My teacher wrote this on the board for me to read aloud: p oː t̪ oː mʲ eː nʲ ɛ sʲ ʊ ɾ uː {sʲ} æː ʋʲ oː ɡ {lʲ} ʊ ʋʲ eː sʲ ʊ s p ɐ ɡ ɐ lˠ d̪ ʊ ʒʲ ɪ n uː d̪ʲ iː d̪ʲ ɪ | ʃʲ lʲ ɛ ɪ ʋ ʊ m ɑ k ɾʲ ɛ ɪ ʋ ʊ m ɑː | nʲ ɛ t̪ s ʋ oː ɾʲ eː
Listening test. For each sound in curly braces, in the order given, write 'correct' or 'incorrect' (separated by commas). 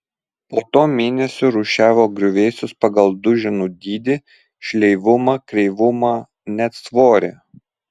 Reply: incorrect, incorrect